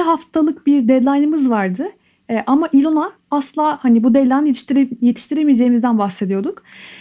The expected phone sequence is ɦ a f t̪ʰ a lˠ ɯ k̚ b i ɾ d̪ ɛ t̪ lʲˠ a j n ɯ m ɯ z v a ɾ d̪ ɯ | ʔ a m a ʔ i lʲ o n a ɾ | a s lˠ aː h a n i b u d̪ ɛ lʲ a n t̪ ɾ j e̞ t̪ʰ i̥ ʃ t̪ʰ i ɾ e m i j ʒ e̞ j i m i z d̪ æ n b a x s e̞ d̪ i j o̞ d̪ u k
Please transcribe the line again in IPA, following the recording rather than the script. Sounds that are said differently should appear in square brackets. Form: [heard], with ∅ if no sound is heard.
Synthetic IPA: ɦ a f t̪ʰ a lˠ ɯ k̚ b i ɾ d̪ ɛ [d̪] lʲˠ a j n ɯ m ɯ z v a ɾ d̪ ɯ | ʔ a m a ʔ i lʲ o n a [∅] | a s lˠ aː h a n i b u d̪ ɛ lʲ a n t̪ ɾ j e̞ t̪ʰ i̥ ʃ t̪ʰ i ɾ e m i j [d͡ʒ] e̞ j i m i z d̪ æ n b a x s e̞ d̪ i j o̞ d̪ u k